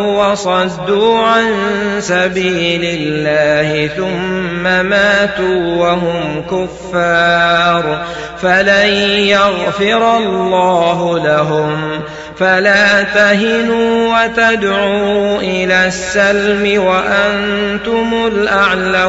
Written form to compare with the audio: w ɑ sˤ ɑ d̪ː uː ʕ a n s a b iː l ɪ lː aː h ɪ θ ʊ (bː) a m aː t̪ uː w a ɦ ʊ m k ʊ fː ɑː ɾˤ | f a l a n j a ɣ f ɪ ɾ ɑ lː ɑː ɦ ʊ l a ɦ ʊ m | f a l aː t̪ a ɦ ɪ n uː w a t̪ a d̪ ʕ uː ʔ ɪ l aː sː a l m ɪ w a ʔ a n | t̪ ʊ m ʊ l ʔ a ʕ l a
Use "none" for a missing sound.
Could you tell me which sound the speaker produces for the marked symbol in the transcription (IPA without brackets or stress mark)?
mː